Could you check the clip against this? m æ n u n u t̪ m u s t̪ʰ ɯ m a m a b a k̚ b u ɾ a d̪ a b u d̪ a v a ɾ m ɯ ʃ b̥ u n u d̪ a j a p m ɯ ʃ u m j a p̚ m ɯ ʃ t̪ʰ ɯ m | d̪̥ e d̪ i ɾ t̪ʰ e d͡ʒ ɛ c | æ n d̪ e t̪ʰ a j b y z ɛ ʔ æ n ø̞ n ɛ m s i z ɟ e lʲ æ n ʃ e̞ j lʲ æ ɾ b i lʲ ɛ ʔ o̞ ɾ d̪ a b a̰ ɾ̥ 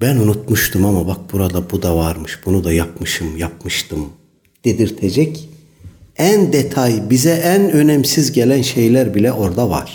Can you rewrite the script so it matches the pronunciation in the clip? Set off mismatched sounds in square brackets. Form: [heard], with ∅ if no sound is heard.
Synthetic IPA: [b] æ n u n u t̪ m u [ʃ] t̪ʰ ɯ m a m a b a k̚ b u ɾ a d̪ a b u d̪ a v a ɾ m ɯ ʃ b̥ u n u d̪ a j a p m ɯ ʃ [ɯ] m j a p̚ m ɯ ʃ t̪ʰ ɯ m | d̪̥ e d̪ i ɾ t̪ʰ e d͡ʒ ɛ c | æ n d̪ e t̪ʰ a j b [i] z ɛ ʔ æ n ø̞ n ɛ m s i z ɟ e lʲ æ n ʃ e̞ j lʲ æ ɾ b i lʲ ɛ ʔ o̞ ɾ d̪ a [v] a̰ ɾ̥